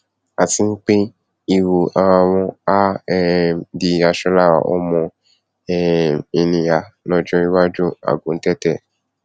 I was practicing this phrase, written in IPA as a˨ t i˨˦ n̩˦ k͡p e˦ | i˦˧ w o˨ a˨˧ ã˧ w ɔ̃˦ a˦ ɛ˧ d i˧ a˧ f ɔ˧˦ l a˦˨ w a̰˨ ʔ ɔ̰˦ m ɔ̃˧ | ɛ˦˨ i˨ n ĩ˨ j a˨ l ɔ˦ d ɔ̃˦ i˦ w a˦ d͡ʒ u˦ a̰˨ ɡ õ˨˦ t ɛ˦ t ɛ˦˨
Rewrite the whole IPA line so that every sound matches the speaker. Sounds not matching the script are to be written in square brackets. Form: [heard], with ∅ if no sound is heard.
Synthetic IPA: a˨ t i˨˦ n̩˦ k͡p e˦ | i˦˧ w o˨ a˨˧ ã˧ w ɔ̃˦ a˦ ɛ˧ d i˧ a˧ [ʃ] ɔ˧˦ l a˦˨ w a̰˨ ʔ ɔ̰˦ m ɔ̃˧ | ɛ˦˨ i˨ n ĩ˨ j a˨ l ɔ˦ [d͡ʒ] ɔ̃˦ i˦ w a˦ d͡ʒ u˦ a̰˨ ɡ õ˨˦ t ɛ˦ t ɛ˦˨